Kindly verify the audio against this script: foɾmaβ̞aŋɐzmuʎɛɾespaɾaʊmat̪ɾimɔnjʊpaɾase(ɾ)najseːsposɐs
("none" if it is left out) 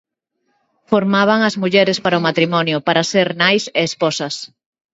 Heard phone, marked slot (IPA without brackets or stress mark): ɾ